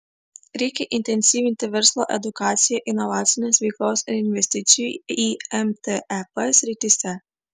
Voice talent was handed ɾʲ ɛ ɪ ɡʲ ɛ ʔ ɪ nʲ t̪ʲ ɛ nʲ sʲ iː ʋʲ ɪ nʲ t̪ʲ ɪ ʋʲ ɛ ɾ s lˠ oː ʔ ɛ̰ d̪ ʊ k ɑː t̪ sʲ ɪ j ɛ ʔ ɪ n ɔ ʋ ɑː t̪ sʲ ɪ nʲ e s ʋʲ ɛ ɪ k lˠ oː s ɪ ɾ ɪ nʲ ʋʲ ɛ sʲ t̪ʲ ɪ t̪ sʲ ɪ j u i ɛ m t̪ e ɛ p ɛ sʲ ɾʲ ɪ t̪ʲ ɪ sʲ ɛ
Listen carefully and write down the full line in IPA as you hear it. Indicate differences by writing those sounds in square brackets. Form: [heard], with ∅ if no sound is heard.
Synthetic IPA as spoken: ɾʲ ɛ ɪ [kʲ] ɛ ʔ ɪ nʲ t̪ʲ ɛ nʲ sʲ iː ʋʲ ɪ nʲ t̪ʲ ɪ ʋʲ ɛ ɾ s lˠ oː ʔ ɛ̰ d̪ ʊ k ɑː t̪ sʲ ɪ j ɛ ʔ ɪ n ɔ ʋ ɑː t̪ sʲ ɪ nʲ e s ʋʲ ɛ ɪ k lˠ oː s ɪ ɾ ɪ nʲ ʋʲ ɛ sʲ t̪ʲ ɪ t̪ sʲ ɪ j u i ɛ m t̪ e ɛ p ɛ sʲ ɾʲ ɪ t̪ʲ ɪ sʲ ɛ

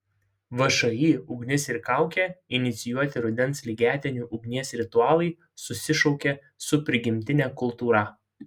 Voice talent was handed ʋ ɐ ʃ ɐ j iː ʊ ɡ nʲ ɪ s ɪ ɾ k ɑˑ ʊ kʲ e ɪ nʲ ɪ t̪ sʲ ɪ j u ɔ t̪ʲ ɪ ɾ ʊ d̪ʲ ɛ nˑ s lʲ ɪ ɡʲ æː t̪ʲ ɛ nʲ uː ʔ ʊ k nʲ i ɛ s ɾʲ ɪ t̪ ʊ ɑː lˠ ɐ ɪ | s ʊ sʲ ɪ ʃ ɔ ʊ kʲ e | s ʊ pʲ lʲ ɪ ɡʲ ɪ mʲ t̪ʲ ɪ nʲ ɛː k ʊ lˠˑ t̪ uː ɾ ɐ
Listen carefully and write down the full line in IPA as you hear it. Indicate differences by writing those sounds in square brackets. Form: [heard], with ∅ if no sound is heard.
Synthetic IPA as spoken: ʋ ɐ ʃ ɐ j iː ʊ ɡ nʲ ɪ s ɪ ɾ k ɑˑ ʊ kʲ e ɪ nʲ ɪ t̪ sʲ ɪ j u ɔ t̪ʲ ɪ ɾ ʊ d̪ʲ ɛ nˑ s lʲ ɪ ɡʲ æː t̪ʲ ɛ nʲ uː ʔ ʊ [ɡ] nʲ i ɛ s ɾʲ ɪ t̪ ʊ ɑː lˠ ɐ ɪ | s ʊ sʲ ɪ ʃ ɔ ʊ kʲ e | s ʊ pʲ [ɾʲ] ɪ ɡʲ ɪ mʲ t̪ʲ ɪ nʲ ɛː k ʊ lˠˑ t̪ uː ɾ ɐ

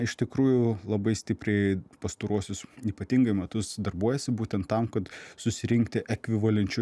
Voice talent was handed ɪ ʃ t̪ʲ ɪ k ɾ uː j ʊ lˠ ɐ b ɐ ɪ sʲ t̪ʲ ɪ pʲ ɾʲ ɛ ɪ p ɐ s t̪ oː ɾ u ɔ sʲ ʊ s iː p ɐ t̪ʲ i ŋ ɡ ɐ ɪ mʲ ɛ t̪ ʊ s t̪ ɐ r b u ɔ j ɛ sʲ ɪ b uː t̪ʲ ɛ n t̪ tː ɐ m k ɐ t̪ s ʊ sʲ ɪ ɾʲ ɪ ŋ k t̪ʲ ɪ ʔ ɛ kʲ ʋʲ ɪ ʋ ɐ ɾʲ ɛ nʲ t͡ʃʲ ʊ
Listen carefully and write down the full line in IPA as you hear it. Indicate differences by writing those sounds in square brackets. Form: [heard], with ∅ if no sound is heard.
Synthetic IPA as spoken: ɪ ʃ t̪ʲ ɪ k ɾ uː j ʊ lˠ ɐ b ɐ ɪ sʲ t̪ʲ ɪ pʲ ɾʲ ɛ ɪ p ɐ s t̪ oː ɾ u ɔ sʲ ʊ s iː p ɐ t̪ʲ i ŋ ɡ ɐ ɪ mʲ ɛ t̪ ʊ s [d̪] ɐ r b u ɔ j ɛ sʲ ɪ b uː t̪ʲ ɛ n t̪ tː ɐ m k ɐ t̪ s ʊ sʲ ɪ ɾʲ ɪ ŋ k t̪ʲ ɪ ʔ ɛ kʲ ʋʲ ɪ ʋ ɐ [lʲ] ɛ nʲ t͡ʃʲ ʊ

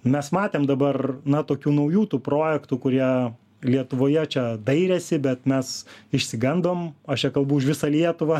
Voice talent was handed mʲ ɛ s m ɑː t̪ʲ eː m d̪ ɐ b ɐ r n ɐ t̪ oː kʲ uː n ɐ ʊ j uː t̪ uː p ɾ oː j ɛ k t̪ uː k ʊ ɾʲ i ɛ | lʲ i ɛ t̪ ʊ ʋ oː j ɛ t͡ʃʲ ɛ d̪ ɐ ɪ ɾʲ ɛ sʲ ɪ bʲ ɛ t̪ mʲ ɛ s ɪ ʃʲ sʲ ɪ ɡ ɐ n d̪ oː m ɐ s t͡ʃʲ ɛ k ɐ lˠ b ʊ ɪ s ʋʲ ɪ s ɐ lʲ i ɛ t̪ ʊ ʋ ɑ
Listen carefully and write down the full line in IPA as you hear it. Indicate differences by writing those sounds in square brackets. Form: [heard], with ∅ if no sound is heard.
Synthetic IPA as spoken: mʲ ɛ s m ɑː t̪ʲ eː m d̪ ɐ b ɐ r n ɐ t̪ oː kʲ uː n ɐ ʊ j uː t̪ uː p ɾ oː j ɛ k t̪ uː k ʊ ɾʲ i ɛ | lʲ i ɛ t̪ ʊ ʋ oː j ɛ t͡ʃʲ ɛ d̪ ɐ ɪ ɾʲ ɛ sʲ ɪ bʲ ɛ t̪ mʲ ɛ s ɪ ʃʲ sʲ ɪ ɡ ɐ n d̪ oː m ɐ [ʃ] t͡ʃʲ ɛ k ɐ lˠ b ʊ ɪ [ʃ] ʋʲ ɪ s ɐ lʲ i ɛ t̪ ʊ ʋ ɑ

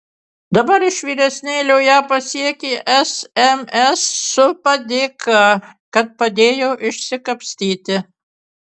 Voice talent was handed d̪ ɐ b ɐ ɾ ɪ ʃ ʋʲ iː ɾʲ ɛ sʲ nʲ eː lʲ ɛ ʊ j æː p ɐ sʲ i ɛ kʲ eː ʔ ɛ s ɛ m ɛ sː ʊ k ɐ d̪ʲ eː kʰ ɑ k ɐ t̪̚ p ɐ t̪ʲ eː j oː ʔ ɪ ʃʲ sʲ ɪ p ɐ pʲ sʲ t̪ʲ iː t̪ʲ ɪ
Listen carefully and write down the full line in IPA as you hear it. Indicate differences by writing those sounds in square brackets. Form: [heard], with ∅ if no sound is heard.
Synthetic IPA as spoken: d̪ ɐ b ɐ ɾ ɪ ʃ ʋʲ iː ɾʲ ɛ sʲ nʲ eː lʲ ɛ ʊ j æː p ɐ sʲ i ɛ kʲ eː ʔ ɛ s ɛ m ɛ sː ʊ [p] ɐ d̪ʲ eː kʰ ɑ k ɐ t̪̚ p ɐ [d̪ʲ] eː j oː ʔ ɪ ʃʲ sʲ ɪ [k] ɐ pʲ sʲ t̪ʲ iː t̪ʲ ɪ

